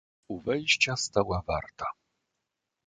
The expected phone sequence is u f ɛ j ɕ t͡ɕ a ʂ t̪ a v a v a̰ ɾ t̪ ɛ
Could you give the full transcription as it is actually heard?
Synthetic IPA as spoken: u v ɛ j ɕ t͡ɕ a s t̪ a w a v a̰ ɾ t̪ a